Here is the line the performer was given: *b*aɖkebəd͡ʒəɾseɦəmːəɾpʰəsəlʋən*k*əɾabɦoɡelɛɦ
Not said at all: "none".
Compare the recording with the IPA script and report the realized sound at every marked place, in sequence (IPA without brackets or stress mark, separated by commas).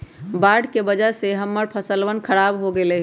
b, kʰ